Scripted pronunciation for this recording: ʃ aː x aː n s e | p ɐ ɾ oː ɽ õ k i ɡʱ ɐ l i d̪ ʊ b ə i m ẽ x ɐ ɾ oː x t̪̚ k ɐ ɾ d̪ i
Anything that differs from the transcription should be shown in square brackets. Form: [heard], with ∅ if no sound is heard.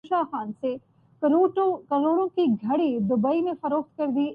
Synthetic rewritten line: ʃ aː x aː n s e | [k] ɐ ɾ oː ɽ õ k i ɡʱ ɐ [ɽ] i d̪ ʊ b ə i m ẽ [f] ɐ ɾ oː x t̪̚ k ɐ ɾ d̪ i